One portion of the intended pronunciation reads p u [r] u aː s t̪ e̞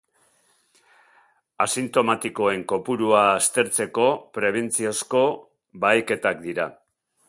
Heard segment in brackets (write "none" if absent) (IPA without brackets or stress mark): ɾ